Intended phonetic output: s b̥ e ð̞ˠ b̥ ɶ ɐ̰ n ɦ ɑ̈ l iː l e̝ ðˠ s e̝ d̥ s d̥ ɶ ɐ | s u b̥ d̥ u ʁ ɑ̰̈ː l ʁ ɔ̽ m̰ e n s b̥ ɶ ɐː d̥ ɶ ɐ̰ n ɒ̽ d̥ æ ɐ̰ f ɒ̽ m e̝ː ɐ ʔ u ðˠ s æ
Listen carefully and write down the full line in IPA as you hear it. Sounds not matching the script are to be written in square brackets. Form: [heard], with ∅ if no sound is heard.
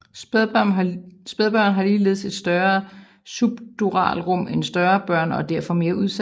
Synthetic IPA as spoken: s b̥ e ð̞ˠ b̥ ɶ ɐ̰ n ɦ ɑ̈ l iː l e̝ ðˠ s e̝ d̥ s d̥ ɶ ɐ | s u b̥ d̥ u ʁ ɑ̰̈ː l ʁ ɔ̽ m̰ e n s [d̥] ɶ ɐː [b̥] ɶ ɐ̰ n ɒ̽ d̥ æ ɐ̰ f ɒ̽ m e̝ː ɐ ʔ u ðˠ s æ